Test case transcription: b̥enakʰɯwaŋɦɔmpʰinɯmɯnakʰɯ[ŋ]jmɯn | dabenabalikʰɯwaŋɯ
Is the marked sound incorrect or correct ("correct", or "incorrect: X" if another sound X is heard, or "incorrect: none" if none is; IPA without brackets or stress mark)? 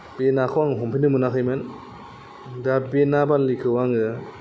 incorrect: none